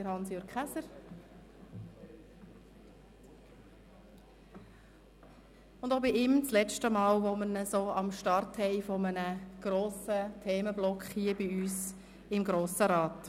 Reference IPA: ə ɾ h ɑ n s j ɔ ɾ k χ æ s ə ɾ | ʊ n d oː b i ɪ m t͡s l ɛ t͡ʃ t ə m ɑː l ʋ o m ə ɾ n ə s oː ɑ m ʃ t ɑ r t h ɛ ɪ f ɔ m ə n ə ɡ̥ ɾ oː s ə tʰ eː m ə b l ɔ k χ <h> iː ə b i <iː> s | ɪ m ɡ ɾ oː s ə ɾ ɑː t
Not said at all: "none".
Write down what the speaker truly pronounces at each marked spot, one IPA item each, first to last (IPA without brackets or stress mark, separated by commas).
h, yː